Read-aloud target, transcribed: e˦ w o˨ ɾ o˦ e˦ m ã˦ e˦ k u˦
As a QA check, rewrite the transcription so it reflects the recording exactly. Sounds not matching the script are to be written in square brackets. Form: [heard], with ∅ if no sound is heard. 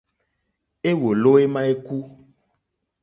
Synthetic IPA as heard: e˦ w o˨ [l] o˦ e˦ m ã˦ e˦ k u˦